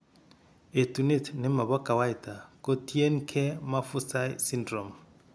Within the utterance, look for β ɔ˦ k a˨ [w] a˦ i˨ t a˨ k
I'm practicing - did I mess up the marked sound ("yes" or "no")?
no